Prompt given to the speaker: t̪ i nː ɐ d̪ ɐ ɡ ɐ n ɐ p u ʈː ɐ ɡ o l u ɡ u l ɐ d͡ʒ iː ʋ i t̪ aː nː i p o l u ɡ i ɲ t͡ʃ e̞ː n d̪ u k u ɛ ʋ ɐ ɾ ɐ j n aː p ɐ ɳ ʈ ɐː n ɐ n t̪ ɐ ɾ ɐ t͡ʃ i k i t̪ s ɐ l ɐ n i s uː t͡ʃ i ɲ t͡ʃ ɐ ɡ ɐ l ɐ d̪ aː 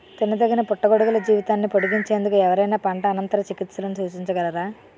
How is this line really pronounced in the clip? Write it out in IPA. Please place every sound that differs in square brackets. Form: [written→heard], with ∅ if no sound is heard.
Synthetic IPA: t̪ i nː ɐ d̪ ɐ ɡ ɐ n ɐ p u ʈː ɐ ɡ o [l→ɽ] u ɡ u l ɐ d͡ʒ iː ʋ i t̪ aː nː i p o [l→ɽ] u ɡ i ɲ t͡ʃ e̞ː n d̪ u k u ɛ ʋ ɐ ɾ ɐ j n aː p ɐ ɳ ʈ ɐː n ɐ n t̪ ɐ ɾ ɐ t͡ʃ i k i t̪ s ɐ l ɐ n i s uː t͡ʃ i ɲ t͡ʃ ɐ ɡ ɐ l ɐ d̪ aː